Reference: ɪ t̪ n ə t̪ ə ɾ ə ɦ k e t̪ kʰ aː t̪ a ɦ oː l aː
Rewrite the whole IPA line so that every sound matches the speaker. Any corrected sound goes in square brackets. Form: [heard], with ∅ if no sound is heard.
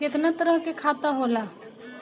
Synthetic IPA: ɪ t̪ n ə t̪ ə ɾ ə ɦ k e [∅] kʰ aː t̪ a ɦ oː l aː